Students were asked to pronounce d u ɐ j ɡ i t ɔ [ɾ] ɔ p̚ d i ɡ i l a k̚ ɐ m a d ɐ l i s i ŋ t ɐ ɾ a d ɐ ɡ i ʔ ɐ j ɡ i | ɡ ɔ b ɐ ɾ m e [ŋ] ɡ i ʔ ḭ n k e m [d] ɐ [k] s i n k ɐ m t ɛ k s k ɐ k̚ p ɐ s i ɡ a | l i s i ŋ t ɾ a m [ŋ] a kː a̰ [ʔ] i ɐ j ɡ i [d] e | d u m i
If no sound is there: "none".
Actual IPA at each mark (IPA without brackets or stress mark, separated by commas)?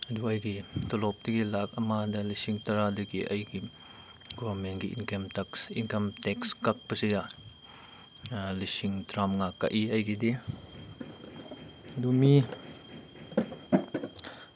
l, n, t, k, ŋ, ʔ, d